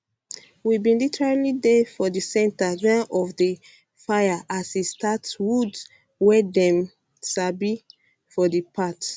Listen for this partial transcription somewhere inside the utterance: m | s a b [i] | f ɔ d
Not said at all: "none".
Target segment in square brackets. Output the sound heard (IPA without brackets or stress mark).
i